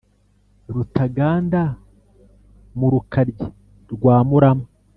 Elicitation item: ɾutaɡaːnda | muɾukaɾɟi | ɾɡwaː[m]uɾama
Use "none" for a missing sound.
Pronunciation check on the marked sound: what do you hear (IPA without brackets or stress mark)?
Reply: m